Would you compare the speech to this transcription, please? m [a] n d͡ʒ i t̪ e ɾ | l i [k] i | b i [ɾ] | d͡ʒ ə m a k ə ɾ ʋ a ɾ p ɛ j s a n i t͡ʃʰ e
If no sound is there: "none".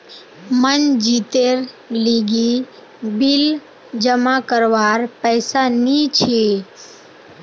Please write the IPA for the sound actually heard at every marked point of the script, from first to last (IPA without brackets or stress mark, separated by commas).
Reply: ə, ɡ, l